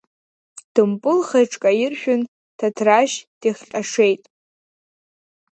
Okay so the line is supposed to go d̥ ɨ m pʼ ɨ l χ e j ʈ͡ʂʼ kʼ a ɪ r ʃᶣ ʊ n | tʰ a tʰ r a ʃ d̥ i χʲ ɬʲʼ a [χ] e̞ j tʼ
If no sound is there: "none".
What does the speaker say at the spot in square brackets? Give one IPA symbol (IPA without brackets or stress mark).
ʂ